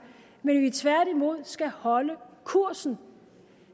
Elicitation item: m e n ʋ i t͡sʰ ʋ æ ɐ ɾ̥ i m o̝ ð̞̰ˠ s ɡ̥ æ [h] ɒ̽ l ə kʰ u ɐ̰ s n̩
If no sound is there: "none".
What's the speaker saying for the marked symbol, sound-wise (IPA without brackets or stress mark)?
h